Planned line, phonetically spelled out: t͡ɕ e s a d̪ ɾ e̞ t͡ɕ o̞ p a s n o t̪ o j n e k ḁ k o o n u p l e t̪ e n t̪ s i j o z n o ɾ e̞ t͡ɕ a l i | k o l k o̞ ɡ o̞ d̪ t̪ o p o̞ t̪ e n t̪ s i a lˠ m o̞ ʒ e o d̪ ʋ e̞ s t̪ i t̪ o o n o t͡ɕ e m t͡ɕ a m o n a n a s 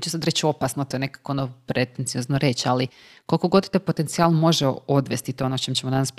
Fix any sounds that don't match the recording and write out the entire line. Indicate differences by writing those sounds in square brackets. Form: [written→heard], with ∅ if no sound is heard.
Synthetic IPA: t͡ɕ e s a d̪ ɾ e̞ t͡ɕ o̞ p a s n o t̪ o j n e k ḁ k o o n [u→o] p [l→ɾ] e t̪ e n t̪ s i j o z n o ɾ e̞ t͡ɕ a l i | k o l k o̞ ɡ o̞ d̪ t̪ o p o̞ t̪ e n t̪ s i a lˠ m o̞ ʒ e o d̪ ʋ e̞ s t̪ i t̪ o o n o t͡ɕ e m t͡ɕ [a→e] m o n a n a s